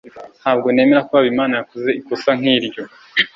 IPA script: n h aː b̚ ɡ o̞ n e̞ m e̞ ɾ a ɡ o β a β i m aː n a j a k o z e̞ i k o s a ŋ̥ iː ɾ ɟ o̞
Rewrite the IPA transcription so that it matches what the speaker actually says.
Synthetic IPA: n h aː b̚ ɡ o̞ n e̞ m e̞ ɾ a k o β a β i m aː n a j a k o z e̞ i k o s a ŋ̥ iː ɾ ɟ o̞